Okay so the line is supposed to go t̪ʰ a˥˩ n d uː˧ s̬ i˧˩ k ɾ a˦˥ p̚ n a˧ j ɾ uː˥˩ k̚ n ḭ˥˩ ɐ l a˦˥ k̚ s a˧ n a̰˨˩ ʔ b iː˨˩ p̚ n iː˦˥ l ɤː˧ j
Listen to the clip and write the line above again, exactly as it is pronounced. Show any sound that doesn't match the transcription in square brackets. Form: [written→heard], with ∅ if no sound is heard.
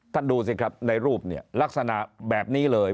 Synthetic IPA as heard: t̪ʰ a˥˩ n d uː˧ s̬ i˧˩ k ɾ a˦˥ p̚ n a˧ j ɾ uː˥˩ [k̚→p̚] n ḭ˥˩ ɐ l a˦˥ k̚ s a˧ n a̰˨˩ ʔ b [iː˨˩→ɛː˨˩] p̚ n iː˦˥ l ɤː˧ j